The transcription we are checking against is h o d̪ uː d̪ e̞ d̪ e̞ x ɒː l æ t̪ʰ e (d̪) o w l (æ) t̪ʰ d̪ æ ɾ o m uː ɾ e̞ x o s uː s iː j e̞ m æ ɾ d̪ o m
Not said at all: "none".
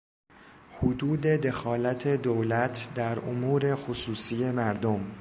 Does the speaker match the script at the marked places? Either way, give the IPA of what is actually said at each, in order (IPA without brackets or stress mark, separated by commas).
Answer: d̪, æ